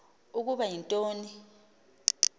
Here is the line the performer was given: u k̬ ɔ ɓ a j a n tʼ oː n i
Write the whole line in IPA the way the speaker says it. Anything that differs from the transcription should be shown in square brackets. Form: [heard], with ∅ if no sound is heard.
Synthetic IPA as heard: u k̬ [u] ɓ a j [i] n tʼ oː n i